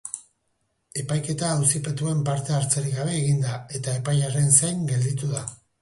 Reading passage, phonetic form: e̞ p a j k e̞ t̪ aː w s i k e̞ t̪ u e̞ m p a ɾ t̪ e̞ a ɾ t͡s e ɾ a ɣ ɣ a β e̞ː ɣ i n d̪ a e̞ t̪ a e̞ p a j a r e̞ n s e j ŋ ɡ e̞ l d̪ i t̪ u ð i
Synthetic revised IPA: e̞ p a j k e̞ t̪ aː w s i p e̞ t̪ u e̞ m p a ɾ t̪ e̞ a ɾ t͡s e ɾ i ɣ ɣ a β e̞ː ɣ i n d̪ a e̞ t̪ a e̞ p a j a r e̞ n s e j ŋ ɡ e̞ l d̪ i t̪ u ð a